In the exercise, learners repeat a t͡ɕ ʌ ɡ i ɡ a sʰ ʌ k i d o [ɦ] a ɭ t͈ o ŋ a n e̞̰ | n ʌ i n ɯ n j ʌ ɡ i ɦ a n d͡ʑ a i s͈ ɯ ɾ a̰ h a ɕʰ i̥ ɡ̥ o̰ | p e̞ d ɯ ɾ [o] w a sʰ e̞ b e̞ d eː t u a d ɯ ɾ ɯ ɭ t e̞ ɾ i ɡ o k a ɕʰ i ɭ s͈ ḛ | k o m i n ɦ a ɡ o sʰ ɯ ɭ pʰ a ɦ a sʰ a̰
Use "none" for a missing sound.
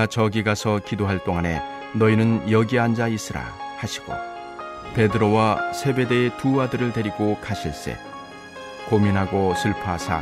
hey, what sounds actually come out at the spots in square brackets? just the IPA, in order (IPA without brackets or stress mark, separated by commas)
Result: ɦ, o